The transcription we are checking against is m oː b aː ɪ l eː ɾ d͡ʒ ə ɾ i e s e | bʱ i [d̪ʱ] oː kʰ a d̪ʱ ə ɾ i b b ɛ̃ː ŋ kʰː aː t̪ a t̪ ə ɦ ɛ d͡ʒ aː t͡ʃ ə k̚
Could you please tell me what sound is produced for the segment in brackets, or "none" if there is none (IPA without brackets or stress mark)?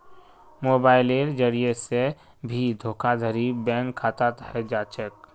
d̪ʱ